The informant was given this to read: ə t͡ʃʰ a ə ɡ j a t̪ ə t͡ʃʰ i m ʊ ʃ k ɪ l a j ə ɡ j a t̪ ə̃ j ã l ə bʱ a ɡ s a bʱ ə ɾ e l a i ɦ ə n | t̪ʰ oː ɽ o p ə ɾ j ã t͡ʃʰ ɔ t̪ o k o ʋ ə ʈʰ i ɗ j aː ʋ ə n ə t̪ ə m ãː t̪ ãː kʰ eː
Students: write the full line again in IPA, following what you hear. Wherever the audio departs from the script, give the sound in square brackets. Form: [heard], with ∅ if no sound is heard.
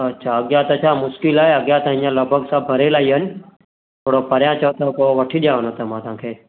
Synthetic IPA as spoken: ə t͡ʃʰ a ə ɡ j a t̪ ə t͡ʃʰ [a] m ʊ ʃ k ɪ l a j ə ɡ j a t̪ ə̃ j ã l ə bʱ [ə] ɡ s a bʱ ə ɾ e l a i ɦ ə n | t̪ʰ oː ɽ o p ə ɾ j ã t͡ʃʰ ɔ t̪ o k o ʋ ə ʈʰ i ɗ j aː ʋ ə n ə t̪ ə m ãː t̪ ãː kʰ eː